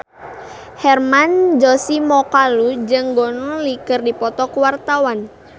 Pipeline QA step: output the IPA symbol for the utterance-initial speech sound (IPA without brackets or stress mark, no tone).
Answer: h